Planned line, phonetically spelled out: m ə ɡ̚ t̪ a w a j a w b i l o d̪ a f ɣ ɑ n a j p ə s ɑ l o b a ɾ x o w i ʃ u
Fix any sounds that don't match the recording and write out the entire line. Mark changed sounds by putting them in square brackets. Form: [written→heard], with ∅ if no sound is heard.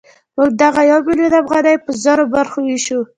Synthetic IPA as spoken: m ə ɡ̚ [t̪→d̪] a [w→ɣ] a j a w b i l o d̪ a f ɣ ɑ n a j p ə [s→z] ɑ [l→ɾ] o b a ɾ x o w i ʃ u